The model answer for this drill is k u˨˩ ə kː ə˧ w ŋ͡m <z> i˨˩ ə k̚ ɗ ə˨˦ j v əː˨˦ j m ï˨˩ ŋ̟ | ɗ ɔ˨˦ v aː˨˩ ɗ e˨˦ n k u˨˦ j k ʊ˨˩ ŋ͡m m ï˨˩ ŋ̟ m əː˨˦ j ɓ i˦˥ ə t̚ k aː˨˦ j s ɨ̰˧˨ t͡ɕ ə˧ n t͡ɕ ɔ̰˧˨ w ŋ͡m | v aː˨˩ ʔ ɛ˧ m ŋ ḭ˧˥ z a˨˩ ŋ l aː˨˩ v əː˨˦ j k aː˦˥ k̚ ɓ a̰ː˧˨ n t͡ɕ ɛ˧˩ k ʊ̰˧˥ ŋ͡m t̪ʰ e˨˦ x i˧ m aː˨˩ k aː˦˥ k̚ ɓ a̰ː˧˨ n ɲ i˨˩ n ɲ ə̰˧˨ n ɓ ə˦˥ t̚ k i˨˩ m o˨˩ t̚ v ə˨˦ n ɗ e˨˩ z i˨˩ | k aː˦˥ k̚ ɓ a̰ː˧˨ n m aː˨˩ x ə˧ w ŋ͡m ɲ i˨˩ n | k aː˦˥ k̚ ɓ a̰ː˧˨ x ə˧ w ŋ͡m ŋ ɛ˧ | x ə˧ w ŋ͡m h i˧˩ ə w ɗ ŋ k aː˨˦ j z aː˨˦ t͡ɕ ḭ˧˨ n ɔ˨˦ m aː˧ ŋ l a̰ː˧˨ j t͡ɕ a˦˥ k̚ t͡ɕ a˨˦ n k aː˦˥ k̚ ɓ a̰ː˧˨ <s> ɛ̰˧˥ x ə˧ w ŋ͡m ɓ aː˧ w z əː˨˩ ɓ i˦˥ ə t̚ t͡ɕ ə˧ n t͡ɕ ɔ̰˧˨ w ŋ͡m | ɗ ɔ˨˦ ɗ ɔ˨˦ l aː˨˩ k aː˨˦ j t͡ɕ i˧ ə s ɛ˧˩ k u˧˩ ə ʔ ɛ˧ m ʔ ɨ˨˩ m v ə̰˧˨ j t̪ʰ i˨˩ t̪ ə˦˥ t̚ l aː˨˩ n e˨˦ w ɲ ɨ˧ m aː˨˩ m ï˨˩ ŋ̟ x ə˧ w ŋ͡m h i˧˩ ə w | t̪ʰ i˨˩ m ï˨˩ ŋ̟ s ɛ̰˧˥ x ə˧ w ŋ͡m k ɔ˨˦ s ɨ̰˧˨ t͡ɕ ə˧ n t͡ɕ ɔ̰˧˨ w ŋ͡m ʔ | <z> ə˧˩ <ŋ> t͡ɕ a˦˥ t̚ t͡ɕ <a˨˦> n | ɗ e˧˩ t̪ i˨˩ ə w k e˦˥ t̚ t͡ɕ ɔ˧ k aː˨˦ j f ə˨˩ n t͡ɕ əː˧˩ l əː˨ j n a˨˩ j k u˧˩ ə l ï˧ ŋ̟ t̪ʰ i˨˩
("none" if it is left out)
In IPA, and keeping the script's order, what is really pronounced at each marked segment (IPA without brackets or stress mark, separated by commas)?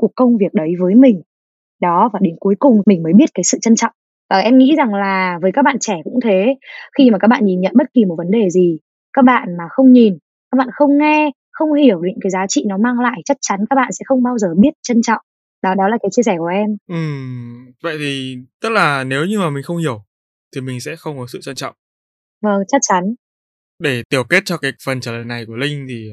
v, s, v, ŋ, a˨˦